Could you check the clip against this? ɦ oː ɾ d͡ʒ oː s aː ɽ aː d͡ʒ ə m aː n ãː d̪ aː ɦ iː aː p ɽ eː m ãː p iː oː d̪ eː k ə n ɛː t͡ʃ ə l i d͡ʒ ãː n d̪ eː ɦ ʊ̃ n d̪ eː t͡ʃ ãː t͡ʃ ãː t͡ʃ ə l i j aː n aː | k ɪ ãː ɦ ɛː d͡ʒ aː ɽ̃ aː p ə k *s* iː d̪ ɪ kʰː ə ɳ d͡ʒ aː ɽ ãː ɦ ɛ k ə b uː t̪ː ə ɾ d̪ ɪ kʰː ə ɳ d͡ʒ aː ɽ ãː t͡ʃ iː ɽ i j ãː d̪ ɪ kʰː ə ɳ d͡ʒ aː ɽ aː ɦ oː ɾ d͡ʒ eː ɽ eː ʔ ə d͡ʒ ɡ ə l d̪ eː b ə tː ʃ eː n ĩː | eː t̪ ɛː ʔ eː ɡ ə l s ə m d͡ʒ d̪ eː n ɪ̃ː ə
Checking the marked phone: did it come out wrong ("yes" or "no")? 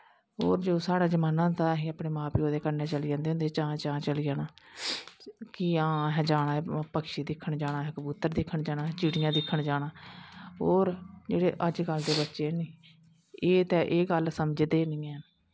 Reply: yes